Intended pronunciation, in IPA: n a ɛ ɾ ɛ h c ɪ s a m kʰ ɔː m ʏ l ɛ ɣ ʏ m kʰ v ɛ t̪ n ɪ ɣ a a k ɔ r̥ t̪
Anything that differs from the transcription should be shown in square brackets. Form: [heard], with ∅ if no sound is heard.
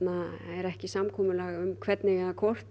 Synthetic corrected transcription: n a ɛ ɾ ɛ h c ɪ s a m kʰ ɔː m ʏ l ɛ ɣ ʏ m kʰ v ɛ t̪ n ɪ ɣ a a [kʰ] ɔ r̥ t̪